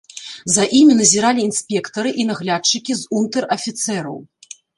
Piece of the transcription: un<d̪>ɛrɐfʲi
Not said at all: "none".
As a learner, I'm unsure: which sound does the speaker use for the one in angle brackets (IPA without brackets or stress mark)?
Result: t̪